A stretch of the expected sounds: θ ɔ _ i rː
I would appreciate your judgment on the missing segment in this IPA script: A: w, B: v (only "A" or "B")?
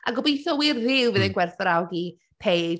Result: A